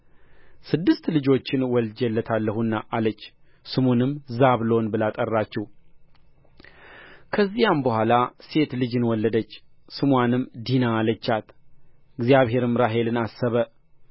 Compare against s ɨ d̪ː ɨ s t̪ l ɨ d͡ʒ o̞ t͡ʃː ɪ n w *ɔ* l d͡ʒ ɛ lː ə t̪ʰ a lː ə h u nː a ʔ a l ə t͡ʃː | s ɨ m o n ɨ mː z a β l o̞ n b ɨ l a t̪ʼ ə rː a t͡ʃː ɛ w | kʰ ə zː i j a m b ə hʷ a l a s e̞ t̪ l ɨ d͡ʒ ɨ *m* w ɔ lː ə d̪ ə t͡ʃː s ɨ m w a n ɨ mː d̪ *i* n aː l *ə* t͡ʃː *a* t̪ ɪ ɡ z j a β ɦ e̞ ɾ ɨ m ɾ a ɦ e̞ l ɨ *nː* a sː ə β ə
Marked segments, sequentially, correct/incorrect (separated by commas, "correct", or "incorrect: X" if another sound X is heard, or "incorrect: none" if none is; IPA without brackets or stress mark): correct, incorrect: n, correct, correct, correct, incorrect: n